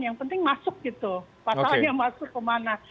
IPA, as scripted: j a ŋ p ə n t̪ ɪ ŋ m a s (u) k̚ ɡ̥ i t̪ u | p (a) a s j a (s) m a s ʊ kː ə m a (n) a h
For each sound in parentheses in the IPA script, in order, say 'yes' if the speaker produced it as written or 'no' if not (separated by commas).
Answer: no, yes, no, yes